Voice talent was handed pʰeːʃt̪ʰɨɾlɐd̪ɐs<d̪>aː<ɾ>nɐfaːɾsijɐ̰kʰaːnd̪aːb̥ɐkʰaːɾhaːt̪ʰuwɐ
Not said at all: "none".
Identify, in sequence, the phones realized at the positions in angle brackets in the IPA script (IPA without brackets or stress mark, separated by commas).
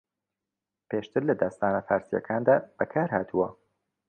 t̪, none